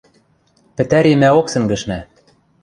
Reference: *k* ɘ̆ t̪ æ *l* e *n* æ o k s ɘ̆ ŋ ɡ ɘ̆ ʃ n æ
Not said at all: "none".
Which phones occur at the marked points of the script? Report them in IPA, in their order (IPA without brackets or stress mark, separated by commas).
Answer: p, ɾ, m